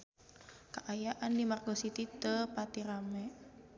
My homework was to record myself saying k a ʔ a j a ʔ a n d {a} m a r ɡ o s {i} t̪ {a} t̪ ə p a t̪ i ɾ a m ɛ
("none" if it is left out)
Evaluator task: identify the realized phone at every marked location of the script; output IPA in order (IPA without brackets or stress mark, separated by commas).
i, i, i